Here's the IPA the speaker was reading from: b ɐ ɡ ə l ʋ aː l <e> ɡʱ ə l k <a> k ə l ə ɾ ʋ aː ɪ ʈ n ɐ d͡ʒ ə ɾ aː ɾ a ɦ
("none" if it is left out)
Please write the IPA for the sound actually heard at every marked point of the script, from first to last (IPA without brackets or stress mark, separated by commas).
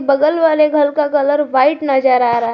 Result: e, a